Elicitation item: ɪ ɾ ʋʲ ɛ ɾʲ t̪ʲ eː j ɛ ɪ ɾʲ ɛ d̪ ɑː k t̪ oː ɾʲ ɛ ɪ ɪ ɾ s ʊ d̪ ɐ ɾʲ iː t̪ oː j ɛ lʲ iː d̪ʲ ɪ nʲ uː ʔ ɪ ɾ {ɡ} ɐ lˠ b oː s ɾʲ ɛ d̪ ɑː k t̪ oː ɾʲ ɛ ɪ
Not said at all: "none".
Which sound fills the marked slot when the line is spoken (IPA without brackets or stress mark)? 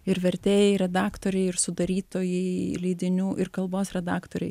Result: k